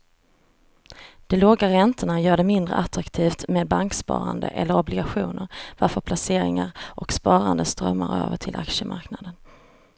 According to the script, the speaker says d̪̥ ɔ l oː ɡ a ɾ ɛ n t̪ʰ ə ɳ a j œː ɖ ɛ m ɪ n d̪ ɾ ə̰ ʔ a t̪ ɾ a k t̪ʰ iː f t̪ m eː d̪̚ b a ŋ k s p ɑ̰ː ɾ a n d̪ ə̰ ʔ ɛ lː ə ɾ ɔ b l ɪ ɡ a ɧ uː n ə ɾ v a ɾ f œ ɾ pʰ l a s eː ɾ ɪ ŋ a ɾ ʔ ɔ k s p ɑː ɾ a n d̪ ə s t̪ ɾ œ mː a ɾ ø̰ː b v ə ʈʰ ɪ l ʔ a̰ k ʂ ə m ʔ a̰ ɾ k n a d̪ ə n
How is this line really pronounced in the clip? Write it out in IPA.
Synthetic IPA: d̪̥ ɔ l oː ɡ a ɾ ɛ n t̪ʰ ə ɳ a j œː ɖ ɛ m ɪ n d̪ ɾ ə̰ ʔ a t̪ ɾ a k t̪ʰ iː f t̪ m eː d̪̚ b a ŋ k s p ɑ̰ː ɾ a n d̪ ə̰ ʔ ɛ lː ə ɾ ɔ b l ɪ ɡ a ɧ uː n ə ɾ v a ɾ f œ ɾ pʰ l a s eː ɾ ɪ ŋ a ɾ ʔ ɔ k s p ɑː ɾ a n d̪ ə s t̪ ɾ œ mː a ɾ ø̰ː v ə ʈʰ ɪ l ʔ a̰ k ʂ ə m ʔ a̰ ɾ k n a d̪ ə n